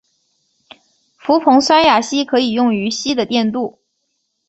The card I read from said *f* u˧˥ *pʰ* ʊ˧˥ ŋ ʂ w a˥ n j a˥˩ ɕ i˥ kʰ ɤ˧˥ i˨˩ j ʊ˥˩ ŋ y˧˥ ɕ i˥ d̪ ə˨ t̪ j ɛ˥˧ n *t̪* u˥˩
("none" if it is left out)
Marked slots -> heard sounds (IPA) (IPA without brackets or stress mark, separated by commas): f, pʰ, t̪